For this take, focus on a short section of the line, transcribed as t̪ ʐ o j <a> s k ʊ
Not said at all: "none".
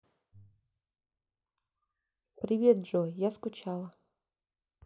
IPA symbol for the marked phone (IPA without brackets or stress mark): a